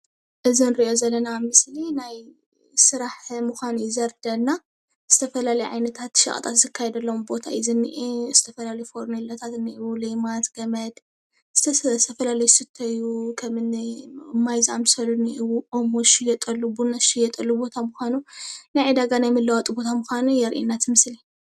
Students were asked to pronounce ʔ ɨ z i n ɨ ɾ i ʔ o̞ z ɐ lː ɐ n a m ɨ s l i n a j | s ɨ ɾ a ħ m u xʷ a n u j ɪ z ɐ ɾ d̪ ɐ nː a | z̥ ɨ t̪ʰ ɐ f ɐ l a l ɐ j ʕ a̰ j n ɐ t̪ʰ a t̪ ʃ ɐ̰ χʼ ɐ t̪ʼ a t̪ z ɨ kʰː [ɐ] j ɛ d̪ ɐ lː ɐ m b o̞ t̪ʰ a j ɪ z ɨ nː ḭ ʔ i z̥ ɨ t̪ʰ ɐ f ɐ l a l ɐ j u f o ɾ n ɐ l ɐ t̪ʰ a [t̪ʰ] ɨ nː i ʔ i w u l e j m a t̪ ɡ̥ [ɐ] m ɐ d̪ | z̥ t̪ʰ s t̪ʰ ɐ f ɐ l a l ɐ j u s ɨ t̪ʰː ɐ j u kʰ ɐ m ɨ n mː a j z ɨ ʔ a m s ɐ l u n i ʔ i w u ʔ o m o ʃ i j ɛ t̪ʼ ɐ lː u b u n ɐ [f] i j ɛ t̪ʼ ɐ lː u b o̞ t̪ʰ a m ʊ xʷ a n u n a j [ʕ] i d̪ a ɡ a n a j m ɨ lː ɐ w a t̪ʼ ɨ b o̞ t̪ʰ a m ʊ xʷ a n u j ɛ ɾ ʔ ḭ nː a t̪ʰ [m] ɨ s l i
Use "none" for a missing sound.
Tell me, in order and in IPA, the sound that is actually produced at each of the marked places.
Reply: a, t̪, ɐ, ʃ, ʕ, m

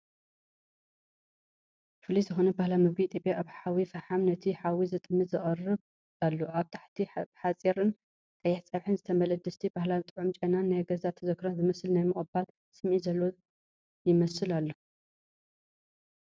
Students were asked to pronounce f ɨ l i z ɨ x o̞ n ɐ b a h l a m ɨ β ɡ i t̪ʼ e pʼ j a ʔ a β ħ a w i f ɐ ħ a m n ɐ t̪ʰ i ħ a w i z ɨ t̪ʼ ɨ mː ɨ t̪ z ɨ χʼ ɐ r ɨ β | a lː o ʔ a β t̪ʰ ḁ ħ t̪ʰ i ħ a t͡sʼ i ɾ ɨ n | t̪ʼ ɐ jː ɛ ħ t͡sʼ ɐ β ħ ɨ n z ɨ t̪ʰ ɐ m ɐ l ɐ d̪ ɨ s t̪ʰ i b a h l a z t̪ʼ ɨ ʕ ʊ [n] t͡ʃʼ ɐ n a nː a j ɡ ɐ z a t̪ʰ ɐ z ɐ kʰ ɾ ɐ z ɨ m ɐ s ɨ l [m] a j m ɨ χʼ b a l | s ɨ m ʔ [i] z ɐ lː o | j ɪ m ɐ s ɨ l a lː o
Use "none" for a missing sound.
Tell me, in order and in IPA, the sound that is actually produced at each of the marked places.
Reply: m, n, i

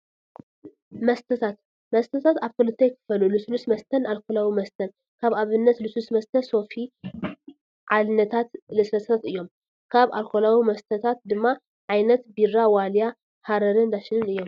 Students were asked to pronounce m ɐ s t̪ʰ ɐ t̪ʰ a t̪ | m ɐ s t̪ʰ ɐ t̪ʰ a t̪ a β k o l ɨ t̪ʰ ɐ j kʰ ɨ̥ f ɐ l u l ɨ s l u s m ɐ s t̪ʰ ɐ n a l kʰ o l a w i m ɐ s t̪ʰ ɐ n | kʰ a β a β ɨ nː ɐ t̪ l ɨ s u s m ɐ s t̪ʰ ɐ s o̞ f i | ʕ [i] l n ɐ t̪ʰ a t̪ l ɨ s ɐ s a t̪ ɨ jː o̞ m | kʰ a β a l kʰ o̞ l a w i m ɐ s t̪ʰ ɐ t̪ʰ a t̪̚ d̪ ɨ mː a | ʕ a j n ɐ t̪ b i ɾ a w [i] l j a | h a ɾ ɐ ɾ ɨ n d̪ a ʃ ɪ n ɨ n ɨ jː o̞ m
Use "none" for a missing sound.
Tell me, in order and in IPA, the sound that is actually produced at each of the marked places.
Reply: a, a

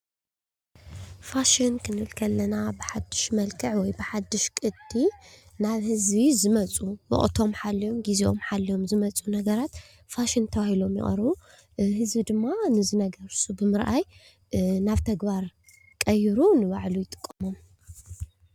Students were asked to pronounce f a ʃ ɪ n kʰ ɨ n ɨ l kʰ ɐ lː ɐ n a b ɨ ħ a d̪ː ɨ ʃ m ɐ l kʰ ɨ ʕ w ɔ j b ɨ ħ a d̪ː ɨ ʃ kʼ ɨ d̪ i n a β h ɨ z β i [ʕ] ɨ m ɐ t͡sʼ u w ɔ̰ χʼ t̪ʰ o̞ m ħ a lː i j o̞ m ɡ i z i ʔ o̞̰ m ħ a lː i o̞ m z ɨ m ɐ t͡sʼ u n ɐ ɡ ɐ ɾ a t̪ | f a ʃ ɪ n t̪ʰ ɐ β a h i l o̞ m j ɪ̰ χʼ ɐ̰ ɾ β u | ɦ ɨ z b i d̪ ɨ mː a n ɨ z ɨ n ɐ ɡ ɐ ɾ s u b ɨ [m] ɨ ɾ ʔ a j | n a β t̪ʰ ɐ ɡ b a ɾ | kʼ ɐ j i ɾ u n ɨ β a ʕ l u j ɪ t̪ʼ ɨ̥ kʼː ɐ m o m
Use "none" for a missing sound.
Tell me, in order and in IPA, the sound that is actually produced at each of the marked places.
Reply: z, m

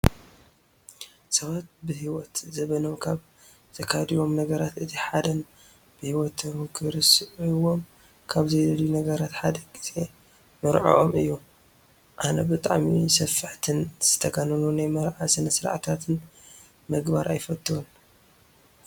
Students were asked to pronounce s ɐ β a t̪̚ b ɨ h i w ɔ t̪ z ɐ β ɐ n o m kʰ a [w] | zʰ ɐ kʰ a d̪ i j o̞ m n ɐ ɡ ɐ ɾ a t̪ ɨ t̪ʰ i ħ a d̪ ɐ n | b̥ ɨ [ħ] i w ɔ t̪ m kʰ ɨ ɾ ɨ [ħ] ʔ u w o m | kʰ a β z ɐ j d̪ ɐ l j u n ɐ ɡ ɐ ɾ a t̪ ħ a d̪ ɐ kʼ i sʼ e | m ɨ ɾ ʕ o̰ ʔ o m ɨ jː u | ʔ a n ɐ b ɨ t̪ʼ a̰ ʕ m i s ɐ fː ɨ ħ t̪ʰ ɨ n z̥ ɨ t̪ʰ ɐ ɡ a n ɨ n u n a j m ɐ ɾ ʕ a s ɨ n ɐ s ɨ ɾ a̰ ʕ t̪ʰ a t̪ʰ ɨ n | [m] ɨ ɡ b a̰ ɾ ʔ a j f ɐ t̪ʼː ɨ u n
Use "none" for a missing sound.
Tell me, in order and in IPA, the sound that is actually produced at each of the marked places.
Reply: β, h, s, m

